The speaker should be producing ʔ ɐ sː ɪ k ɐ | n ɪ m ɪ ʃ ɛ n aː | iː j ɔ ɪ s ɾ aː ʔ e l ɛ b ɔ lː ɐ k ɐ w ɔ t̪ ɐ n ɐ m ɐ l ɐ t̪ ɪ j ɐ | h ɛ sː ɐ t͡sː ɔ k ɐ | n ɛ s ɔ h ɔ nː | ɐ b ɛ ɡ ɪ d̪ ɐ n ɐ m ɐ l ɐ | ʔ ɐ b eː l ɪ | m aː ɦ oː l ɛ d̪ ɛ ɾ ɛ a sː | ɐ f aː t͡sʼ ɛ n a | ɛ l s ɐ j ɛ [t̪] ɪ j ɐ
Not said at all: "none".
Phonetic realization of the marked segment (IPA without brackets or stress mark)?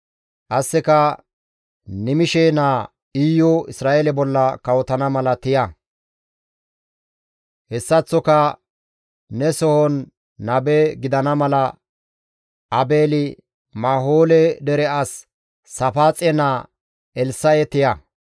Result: t̪